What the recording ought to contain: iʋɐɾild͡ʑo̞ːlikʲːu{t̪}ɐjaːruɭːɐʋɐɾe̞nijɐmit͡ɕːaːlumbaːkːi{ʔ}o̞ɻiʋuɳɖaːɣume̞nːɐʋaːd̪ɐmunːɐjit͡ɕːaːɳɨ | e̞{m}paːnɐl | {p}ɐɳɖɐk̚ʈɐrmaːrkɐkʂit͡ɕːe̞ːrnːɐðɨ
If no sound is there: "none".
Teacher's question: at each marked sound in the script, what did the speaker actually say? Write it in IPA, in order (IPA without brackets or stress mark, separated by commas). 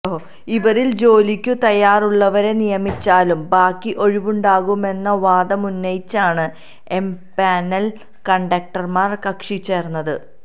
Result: t̪, ʔ, m, k